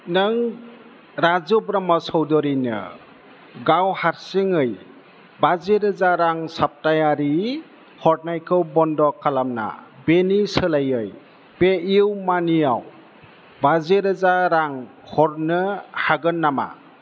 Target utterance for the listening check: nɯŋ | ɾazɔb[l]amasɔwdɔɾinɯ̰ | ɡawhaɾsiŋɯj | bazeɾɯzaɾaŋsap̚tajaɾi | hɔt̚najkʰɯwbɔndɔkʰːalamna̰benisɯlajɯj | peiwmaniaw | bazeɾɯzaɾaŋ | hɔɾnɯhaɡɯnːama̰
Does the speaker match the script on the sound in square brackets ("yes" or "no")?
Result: no